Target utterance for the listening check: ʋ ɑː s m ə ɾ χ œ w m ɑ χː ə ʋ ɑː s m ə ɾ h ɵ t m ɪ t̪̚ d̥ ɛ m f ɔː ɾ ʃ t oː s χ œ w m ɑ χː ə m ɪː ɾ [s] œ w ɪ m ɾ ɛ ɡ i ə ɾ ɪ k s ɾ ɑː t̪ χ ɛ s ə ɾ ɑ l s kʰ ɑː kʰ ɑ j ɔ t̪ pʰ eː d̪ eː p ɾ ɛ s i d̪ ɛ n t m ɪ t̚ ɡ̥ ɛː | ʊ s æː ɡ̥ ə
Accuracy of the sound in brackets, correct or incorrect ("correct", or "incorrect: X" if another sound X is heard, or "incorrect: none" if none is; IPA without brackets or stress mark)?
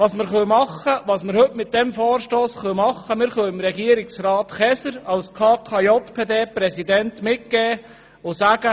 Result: incorrect: χ